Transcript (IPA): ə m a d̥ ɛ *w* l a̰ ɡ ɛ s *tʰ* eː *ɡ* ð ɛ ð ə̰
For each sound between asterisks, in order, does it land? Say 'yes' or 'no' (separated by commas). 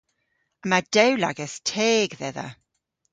yes, yes, yes